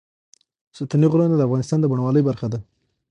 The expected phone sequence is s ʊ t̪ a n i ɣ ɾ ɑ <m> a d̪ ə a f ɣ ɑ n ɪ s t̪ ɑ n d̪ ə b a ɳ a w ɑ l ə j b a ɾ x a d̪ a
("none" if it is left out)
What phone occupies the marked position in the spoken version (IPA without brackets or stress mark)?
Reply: n